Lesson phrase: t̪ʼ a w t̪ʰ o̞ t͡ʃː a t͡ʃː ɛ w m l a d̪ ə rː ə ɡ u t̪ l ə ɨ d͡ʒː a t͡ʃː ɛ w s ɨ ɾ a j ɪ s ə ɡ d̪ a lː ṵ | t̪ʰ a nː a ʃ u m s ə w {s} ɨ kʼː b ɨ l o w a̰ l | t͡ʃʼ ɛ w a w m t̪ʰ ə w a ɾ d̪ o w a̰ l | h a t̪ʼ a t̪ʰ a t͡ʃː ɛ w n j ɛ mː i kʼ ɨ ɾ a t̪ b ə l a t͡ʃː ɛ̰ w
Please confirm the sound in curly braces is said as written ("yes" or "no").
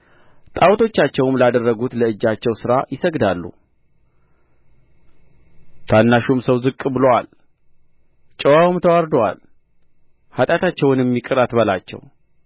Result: no